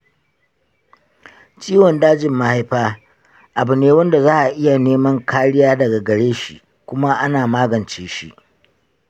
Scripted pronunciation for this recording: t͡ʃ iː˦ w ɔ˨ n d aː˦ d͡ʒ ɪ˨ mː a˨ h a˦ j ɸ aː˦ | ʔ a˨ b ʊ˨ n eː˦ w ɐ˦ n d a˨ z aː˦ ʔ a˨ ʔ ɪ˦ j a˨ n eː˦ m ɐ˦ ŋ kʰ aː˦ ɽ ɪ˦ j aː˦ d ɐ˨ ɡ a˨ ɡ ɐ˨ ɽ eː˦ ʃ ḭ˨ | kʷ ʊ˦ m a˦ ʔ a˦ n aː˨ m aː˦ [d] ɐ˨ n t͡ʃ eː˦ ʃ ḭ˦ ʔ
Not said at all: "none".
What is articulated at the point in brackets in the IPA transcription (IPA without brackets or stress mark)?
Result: ɡ